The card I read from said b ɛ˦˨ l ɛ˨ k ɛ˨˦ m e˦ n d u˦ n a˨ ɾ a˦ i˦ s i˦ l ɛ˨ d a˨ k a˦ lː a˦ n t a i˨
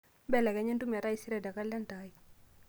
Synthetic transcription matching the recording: b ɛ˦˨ l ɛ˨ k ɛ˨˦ ɲ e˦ n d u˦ m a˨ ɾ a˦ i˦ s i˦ ɾ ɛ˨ d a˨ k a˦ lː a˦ n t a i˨